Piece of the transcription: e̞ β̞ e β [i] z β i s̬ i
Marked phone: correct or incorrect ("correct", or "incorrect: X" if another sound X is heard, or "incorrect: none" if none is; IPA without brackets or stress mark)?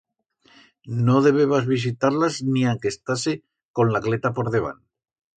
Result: incorrect: a